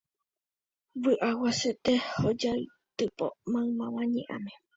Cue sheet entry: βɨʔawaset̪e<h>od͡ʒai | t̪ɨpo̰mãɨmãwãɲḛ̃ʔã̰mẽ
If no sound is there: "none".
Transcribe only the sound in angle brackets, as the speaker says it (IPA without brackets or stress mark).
h